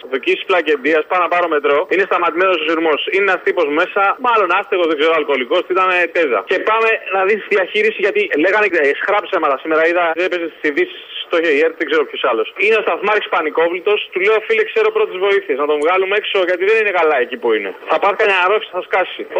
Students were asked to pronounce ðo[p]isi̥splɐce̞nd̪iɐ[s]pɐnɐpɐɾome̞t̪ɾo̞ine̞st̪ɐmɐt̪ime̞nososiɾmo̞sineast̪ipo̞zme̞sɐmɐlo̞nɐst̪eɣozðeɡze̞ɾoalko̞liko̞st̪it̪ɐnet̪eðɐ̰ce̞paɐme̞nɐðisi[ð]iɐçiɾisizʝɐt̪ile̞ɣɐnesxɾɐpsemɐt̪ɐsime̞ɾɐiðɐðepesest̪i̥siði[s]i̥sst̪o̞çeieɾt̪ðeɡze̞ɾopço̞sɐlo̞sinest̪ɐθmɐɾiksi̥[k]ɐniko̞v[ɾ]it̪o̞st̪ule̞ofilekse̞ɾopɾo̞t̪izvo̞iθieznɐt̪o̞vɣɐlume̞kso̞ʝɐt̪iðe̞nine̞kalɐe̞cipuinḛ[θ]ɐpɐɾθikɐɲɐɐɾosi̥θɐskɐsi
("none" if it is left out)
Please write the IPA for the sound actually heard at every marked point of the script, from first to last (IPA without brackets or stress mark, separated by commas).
c, s, ð, s, p, l, θ